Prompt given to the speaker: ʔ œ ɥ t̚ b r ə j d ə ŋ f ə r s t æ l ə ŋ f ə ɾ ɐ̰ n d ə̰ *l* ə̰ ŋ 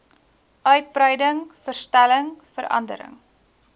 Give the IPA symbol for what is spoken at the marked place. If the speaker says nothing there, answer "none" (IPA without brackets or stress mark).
ɾ